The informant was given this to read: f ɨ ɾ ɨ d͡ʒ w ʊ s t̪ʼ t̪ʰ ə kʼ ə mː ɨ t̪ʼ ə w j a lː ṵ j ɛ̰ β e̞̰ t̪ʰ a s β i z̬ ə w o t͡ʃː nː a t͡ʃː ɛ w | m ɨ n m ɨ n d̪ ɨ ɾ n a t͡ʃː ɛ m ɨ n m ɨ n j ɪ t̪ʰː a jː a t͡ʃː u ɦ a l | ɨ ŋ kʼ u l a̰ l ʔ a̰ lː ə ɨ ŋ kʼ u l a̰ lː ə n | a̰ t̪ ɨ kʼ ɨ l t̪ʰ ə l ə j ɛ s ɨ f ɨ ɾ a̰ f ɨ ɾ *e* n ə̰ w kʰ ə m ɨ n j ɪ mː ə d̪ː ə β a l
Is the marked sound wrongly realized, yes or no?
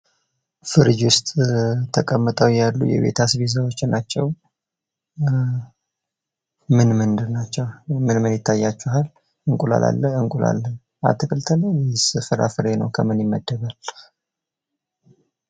no